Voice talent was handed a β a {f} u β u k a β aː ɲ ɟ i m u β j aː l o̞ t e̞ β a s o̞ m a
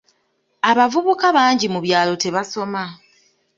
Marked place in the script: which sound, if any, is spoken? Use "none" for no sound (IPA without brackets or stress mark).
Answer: v